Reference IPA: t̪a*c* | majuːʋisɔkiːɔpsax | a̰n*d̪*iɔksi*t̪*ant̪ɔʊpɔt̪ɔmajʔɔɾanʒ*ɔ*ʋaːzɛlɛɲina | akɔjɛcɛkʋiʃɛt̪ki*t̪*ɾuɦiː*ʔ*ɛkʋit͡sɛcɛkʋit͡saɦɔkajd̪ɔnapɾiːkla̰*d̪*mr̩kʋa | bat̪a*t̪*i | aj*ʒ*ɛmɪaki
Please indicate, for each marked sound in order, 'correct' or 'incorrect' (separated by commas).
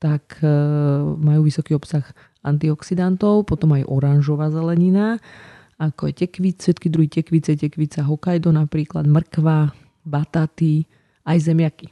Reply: incorrect, incorrect, incorrect, correct, incorrect, incorrect, correct, correct, incorrect